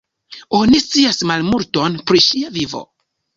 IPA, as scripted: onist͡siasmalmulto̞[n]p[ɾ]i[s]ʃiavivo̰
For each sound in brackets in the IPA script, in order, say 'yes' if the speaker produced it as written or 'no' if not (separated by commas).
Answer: yes, yes, no